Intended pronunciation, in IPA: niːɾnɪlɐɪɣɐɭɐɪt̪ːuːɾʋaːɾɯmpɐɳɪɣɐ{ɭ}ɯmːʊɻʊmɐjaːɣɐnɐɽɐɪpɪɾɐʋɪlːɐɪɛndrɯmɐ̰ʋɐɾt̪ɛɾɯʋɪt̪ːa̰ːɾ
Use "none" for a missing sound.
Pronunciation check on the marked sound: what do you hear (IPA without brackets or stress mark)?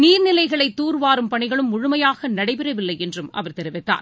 ɭ